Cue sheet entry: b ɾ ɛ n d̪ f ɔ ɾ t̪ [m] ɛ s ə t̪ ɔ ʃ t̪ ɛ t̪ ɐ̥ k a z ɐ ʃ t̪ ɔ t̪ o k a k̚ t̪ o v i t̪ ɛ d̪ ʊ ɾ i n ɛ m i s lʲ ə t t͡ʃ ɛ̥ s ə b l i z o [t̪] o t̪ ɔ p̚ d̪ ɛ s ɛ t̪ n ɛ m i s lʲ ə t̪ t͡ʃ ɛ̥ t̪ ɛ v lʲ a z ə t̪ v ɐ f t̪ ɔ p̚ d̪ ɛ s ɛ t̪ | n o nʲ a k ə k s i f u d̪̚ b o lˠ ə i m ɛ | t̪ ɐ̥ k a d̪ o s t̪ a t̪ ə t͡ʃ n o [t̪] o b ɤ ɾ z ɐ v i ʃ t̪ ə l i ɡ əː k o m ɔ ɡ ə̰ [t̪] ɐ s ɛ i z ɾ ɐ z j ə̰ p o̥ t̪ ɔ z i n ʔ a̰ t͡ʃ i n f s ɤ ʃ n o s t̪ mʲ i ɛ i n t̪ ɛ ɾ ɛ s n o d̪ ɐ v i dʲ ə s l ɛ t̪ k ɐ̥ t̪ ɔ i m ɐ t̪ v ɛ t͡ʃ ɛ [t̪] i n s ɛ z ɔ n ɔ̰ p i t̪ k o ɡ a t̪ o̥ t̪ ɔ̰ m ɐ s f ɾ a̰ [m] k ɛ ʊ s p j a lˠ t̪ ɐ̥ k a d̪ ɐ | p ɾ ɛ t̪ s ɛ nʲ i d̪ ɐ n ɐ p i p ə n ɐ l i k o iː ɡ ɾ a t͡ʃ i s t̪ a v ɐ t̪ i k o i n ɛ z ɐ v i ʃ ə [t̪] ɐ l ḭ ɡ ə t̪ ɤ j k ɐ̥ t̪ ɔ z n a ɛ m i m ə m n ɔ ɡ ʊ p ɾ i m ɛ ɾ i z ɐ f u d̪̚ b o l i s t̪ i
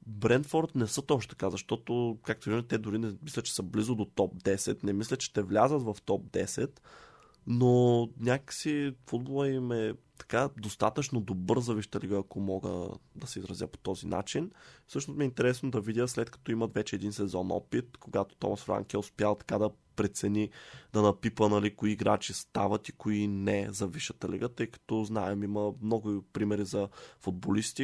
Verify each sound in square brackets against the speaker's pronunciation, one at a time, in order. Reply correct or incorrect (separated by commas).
incorrect, incorrect, incorrect, incorrect, incorrect, incorrect, correct